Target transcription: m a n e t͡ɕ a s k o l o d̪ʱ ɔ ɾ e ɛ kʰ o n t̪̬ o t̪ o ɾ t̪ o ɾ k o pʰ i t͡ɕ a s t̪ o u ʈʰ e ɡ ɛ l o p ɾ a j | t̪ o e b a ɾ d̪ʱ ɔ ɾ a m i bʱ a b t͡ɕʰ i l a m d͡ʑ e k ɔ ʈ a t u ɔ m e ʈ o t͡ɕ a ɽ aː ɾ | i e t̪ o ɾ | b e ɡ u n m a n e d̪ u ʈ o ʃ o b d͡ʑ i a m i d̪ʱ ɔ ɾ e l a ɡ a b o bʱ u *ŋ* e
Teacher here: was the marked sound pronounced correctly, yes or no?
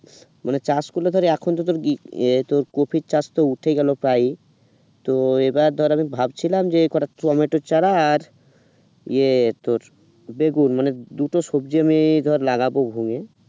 yes